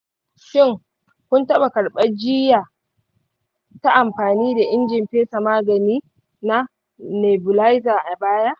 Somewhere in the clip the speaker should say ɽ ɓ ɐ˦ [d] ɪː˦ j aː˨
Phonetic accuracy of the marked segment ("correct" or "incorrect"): incorrect